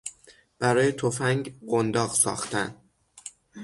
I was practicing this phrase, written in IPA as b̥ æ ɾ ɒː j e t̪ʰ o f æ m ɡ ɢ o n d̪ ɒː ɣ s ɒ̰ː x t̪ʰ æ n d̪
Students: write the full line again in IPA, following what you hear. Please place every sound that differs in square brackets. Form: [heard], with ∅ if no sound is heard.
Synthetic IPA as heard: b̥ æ ɾ ɒː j e t̪ʰ o f æ [ŋ] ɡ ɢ o n d̪ ɒː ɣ s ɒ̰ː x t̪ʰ æ n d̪